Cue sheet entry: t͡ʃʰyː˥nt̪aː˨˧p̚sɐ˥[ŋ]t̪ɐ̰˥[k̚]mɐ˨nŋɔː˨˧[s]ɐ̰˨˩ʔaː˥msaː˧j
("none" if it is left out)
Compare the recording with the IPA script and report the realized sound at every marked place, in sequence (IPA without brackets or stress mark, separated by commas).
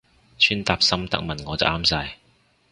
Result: m, k̚, t͡s